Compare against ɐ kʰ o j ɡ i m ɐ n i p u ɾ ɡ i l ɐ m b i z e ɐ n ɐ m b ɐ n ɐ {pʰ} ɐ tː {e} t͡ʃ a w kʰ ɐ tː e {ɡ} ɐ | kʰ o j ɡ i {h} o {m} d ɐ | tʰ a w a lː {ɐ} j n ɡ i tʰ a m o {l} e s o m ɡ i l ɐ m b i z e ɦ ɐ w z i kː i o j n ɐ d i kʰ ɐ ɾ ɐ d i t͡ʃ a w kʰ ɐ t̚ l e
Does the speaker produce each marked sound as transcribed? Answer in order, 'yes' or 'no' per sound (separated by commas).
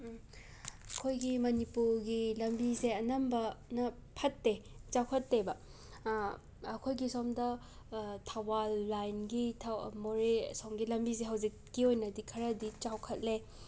yes, yes, no, no, yes, no, no